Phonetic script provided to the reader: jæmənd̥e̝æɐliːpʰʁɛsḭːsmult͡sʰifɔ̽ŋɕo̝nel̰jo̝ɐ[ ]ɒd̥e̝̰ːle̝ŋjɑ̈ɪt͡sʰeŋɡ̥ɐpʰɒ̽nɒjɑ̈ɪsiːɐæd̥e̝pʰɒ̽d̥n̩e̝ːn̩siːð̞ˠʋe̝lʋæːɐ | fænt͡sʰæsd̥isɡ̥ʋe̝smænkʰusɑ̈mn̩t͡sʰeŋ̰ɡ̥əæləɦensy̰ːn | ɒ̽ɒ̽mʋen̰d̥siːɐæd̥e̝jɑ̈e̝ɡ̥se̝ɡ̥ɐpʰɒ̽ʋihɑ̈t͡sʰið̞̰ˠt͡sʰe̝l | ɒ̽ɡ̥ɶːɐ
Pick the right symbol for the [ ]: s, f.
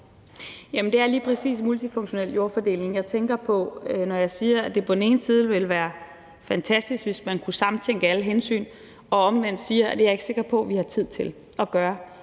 f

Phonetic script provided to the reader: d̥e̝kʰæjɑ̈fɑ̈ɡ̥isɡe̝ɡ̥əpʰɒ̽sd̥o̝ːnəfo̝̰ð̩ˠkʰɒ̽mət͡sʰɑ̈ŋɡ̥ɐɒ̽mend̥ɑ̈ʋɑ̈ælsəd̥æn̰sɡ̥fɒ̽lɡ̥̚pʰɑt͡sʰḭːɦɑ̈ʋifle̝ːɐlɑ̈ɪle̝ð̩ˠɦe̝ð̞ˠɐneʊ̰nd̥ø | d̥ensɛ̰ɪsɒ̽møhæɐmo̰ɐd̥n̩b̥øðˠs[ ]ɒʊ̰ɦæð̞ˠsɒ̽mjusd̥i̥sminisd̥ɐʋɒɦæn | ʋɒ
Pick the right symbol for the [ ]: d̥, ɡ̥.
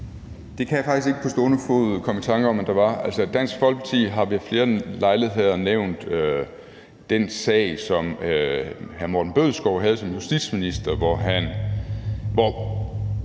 ɡ̥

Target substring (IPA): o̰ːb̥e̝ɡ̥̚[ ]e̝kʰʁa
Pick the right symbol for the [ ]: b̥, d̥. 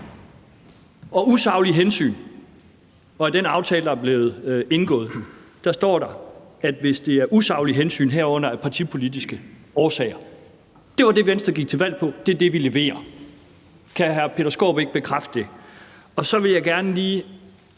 b̥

